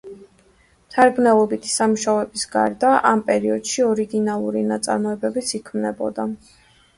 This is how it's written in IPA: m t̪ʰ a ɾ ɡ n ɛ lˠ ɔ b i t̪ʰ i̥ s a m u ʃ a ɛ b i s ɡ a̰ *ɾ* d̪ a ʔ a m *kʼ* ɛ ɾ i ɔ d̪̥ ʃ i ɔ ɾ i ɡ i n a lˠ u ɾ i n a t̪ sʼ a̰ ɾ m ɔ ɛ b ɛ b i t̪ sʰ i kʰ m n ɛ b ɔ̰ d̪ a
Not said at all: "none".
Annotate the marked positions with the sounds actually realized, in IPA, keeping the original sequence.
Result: ɾ, pʼ

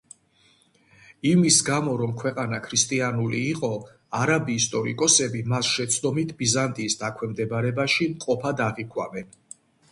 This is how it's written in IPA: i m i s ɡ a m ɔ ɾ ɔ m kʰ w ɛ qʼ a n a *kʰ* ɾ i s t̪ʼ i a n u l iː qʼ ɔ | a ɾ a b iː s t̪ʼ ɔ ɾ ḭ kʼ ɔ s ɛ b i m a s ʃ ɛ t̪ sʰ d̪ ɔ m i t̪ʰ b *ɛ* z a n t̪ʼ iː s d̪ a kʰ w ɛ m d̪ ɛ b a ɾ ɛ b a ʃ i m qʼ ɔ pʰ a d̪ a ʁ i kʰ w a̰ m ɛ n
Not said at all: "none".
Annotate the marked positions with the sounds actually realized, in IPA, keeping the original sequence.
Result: kʰ, i

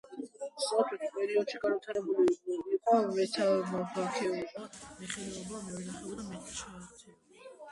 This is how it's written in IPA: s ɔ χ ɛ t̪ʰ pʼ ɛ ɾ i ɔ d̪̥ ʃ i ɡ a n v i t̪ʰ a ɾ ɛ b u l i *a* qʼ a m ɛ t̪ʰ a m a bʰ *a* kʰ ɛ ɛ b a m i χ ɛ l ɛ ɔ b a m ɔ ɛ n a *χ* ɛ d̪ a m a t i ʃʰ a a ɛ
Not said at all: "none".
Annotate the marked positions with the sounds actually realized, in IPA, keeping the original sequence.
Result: i, a, χ

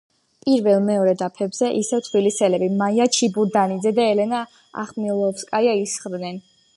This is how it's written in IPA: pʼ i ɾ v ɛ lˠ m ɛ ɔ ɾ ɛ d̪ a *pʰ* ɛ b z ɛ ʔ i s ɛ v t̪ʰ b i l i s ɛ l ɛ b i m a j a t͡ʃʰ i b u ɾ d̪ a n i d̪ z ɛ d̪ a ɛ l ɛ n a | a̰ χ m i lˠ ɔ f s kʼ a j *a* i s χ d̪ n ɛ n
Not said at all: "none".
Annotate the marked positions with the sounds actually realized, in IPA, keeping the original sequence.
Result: pʰ, a

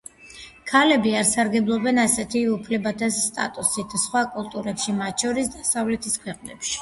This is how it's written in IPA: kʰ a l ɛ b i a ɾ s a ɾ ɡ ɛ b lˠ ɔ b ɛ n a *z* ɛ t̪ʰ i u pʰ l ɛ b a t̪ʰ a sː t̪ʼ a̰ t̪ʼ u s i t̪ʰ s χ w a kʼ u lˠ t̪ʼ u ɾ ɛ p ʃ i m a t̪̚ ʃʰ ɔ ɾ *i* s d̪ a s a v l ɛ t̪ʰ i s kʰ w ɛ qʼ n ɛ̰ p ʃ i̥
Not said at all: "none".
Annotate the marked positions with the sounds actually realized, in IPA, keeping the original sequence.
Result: s, i

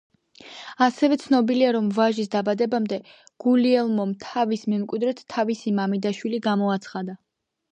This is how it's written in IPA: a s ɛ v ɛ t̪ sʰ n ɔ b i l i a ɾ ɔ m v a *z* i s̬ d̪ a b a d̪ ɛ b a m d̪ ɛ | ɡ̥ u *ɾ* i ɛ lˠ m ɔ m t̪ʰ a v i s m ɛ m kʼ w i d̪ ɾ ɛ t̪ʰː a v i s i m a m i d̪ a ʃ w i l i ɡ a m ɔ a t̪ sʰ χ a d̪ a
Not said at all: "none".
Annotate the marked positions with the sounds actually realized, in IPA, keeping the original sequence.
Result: ʒ, l

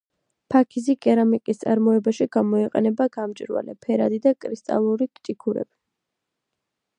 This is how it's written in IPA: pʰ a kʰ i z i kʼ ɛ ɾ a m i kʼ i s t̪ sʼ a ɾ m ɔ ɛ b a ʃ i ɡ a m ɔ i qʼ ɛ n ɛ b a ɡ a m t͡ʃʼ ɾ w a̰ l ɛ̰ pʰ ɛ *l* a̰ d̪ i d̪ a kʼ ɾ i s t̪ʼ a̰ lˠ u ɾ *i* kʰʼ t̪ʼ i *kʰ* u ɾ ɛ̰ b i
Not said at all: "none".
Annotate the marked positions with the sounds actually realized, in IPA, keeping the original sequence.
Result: ɾ, i, kʰ

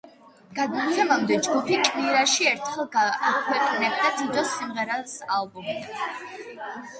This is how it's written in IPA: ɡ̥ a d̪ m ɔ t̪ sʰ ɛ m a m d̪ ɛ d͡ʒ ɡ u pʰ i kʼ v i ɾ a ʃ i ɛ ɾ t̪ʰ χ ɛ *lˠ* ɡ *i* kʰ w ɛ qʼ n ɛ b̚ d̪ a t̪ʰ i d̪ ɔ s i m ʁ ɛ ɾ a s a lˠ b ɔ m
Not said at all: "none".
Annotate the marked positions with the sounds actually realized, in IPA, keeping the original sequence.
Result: lˠ, a

